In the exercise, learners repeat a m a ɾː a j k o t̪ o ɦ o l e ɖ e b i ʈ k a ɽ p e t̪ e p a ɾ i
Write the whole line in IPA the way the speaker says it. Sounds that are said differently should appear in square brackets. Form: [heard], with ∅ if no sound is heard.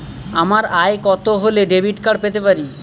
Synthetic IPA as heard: a m a [ɾ] a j k [ɔ] t̪ o ɦ o l e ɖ e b i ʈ k a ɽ p e t̪ e p a ɾ i